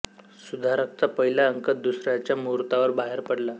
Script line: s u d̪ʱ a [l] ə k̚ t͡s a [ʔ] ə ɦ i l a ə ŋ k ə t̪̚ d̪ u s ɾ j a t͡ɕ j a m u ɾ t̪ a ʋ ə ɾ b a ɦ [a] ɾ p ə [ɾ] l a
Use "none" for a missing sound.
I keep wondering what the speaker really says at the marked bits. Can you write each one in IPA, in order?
ɾ, p, e, ɽ

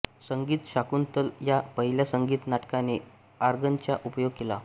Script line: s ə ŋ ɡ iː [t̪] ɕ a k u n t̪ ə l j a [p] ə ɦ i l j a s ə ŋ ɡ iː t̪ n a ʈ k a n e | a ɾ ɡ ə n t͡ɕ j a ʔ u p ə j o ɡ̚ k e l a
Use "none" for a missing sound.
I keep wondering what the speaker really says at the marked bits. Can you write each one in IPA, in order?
t̪, p

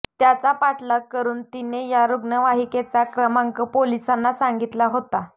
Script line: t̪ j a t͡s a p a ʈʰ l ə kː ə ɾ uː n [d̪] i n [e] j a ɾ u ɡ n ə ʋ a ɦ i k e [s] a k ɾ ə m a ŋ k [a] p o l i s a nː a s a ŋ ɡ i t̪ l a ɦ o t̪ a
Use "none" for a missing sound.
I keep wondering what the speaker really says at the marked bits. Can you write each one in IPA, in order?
t̪, e, t͡s, ə

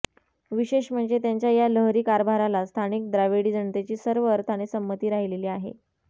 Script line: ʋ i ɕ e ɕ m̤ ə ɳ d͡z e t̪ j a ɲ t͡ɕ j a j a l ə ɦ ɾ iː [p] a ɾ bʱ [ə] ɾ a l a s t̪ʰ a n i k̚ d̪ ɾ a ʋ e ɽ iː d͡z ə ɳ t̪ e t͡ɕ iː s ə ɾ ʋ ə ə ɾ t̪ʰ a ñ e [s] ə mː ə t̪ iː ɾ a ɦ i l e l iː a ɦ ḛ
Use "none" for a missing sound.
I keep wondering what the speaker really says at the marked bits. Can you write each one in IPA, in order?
k, a, s

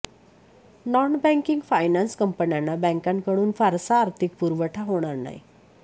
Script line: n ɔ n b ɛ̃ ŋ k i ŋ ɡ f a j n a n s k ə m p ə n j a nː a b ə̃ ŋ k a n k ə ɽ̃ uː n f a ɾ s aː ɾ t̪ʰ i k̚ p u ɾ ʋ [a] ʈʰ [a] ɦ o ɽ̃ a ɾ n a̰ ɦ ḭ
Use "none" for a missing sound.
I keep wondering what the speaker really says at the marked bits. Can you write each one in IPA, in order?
ə, a

